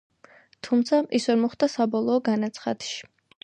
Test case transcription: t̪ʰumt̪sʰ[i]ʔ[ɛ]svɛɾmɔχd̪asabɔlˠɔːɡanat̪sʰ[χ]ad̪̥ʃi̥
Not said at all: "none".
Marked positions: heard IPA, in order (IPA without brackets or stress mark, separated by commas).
a, i, χ